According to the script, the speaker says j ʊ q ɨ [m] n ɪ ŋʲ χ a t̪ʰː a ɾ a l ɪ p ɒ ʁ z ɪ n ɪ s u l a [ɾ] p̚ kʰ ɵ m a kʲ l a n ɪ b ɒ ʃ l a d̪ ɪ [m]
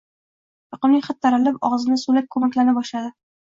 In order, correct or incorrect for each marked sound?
correct, incorrect: none, incorrect: none

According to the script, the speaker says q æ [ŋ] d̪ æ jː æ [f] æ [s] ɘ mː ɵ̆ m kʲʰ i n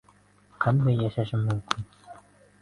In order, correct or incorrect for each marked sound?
incorrect: n, incorrect: ʃ, incorrect: ʃ

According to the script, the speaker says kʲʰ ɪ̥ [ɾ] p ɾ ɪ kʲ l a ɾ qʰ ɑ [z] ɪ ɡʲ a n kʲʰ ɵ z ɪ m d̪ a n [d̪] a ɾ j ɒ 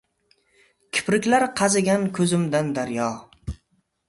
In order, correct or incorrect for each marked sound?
incorrect: none, correct, correct

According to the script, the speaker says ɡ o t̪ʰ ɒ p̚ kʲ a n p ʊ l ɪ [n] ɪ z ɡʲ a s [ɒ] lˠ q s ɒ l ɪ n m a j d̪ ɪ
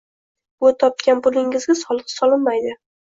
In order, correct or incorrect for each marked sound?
incorrect: ŋ, correct

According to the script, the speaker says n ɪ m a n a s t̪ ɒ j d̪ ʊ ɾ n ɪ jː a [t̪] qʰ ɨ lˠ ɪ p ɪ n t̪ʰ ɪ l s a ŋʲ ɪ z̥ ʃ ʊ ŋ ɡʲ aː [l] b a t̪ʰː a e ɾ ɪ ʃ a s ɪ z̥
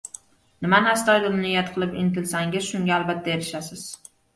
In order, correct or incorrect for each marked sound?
correct, correct

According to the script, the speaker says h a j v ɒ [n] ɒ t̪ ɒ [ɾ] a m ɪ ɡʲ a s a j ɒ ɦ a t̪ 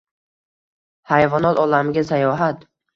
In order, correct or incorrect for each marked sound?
correct, incorrect: l

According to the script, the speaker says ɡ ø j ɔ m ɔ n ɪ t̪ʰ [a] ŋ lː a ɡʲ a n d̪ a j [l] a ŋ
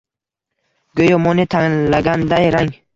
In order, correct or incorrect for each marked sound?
correct, incorrect: ɾ

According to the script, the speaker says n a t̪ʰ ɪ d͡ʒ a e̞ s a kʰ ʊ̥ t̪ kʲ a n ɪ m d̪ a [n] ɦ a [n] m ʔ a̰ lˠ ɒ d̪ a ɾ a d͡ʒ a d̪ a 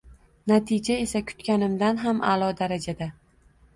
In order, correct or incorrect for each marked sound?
correct, incorrect: none

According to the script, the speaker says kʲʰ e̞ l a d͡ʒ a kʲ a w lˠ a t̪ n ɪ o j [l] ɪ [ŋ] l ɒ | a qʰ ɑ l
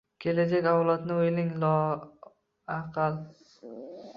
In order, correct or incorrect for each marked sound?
correct, correct

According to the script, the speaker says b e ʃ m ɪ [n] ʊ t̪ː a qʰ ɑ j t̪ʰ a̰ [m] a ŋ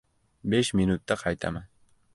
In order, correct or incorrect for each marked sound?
correct, correct

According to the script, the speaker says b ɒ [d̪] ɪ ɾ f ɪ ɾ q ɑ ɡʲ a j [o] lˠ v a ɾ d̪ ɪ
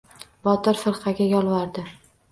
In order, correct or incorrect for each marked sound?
incorrect: t̪, incorrect: ɒ

